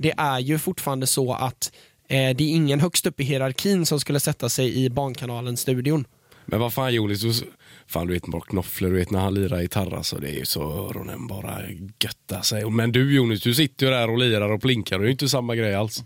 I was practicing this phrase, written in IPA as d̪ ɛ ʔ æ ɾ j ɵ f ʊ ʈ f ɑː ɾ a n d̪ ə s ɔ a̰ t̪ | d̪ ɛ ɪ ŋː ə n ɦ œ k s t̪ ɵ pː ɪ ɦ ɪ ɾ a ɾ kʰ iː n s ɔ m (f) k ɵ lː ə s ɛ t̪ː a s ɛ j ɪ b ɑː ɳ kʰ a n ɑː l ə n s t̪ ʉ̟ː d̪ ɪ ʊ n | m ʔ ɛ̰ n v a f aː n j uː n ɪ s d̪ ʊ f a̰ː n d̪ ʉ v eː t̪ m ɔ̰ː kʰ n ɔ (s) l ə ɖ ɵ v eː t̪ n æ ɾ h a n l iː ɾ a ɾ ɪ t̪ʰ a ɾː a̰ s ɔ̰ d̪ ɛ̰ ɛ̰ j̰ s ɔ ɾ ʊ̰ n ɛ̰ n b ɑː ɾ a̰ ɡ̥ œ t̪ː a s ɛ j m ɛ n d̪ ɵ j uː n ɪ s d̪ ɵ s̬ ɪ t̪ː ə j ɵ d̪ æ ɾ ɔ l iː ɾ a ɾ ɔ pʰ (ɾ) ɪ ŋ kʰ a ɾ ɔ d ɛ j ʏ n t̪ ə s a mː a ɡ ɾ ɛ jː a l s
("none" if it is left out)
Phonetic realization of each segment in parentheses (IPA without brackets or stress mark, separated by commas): s, f, l